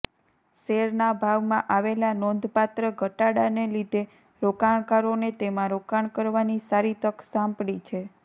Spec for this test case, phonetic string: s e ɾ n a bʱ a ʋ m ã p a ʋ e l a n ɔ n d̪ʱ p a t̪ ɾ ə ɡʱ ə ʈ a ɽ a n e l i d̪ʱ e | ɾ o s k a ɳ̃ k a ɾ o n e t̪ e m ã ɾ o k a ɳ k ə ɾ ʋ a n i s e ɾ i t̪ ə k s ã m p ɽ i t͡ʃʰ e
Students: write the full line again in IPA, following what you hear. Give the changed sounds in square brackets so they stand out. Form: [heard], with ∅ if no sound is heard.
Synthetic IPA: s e ɾ n a bʱ a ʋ m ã [ʔ] a ʋ e l a n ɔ n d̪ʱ p a t̪ ɾ ə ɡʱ ə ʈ a ɽ a n e l i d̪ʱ e | ɾ o [∅] k a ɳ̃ k a ɾ o n e t̪ e m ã ɾ o k a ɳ k ə ɾ ʋ a n i s [a] ɾ i t̪ ə k s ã m p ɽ i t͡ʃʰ e